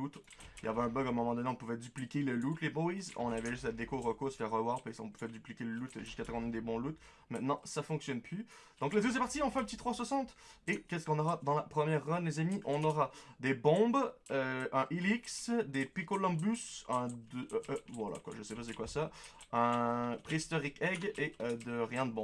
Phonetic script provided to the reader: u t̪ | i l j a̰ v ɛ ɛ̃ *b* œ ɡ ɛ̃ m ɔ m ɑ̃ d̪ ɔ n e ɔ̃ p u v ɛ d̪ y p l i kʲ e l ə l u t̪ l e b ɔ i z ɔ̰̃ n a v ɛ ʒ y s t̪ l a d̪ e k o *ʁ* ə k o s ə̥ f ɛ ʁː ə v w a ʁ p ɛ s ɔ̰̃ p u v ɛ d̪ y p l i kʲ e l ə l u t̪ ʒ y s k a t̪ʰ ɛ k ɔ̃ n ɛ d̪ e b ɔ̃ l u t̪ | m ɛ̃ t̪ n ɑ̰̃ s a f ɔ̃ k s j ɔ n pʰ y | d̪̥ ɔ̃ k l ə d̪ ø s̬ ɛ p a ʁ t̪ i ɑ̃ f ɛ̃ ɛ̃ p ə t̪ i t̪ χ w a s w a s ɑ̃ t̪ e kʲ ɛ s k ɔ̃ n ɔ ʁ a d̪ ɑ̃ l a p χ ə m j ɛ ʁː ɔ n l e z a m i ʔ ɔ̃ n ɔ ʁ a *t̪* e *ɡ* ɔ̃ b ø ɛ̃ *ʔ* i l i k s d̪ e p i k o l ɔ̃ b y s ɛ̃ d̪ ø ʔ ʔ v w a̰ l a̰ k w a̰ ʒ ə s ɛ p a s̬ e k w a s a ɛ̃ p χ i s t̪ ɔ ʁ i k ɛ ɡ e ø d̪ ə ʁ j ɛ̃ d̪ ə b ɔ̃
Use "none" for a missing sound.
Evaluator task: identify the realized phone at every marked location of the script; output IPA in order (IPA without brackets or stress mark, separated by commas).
b, ʁ, d̪, b, ʔ